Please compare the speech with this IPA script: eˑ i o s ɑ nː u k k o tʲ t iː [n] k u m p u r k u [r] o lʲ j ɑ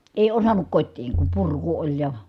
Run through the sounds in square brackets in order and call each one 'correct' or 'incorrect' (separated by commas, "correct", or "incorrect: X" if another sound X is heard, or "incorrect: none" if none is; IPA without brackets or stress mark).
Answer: incorrect: ŋ, incorrect: none